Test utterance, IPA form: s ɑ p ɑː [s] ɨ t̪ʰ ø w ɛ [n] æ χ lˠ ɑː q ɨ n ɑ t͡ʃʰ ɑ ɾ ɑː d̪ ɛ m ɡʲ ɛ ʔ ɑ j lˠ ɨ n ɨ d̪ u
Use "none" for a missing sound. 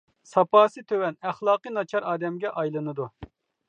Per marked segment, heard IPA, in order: s, n

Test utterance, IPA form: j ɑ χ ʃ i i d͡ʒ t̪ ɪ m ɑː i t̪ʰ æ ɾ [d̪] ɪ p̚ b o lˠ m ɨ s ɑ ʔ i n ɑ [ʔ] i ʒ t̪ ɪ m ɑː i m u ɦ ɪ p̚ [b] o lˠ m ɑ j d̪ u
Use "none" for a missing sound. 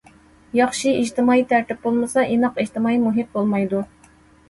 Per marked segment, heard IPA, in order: t̪, q, b

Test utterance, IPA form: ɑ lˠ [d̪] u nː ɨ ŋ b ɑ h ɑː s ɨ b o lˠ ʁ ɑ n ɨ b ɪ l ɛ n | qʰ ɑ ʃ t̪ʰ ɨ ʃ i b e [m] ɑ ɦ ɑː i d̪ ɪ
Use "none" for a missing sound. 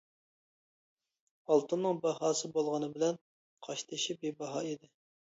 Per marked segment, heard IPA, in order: t̪, b

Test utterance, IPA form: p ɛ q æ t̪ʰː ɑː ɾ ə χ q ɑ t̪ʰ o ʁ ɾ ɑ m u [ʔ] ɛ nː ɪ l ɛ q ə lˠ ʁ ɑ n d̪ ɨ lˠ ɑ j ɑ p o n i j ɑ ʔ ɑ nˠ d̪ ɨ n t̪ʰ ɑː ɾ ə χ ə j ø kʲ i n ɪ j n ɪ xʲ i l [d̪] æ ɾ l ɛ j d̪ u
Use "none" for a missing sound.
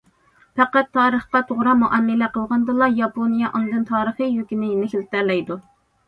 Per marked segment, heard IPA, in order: ʔ, t̪

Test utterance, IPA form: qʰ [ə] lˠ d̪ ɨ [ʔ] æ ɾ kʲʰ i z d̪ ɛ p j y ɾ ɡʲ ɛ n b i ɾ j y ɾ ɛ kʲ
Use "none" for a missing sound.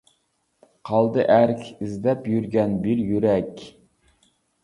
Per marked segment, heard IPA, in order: ɑ, ʔ

